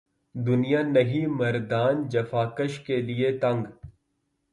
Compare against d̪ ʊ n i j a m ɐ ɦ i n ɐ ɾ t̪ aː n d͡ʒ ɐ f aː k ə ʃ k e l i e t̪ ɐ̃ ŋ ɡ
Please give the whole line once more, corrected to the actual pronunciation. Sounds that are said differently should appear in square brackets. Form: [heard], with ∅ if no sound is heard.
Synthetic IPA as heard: d̪ ʊ n i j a [n] ɐ ɦ i [m] ɐ ɾ [d̪] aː n d͡ʒ ɐ f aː k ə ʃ k e l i e t̪ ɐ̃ ŋ ɡ